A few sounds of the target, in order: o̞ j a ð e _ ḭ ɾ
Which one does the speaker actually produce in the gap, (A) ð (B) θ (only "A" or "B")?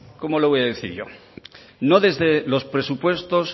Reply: B